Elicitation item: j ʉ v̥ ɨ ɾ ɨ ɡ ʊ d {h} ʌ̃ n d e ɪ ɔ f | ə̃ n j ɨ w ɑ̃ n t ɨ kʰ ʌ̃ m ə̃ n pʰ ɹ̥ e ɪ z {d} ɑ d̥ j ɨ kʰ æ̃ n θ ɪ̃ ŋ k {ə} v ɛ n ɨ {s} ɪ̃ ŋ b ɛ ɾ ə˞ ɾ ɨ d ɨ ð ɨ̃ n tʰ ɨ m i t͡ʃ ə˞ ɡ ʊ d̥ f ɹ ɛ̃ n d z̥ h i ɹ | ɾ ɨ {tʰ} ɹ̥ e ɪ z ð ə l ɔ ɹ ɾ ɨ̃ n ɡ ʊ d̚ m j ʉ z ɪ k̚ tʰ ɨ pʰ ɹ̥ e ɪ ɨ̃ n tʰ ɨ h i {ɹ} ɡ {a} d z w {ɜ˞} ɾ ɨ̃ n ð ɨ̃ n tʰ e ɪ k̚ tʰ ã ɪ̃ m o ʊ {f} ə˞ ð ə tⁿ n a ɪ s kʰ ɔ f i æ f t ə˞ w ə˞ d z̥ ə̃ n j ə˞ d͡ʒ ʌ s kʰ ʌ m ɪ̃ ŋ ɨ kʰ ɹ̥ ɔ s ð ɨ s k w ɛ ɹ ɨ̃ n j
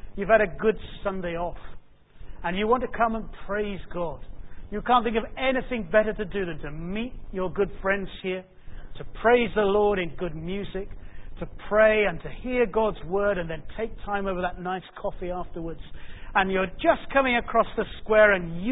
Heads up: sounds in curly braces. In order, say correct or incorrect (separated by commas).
incorrect, incorrect, incorrect, incorrect, incorrect, correct, incorrect, correct, incorrect